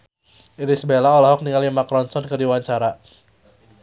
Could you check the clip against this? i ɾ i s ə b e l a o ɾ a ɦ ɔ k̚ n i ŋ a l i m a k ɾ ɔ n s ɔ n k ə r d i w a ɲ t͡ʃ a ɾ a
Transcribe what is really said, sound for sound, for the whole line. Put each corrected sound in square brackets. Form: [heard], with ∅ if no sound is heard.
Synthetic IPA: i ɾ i s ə b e l a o [l] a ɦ ɔ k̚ n i ŋ a l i m a k ɾ ɔ n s ɔ n k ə r d i w a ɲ t͡ʃ a ɾ a